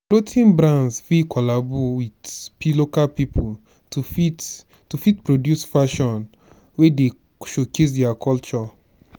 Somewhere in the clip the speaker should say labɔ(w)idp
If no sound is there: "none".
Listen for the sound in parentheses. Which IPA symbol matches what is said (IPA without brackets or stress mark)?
w